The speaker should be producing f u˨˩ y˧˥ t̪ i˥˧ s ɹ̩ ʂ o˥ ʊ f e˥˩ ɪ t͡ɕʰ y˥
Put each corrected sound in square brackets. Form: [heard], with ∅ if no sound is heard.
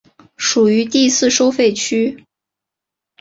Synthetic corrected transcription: [ʂ] u˨˩ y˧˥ t̪ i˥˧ s ɹ̩ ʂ o˥ ʊ f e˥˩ ɪ t͡ɕʰ y˥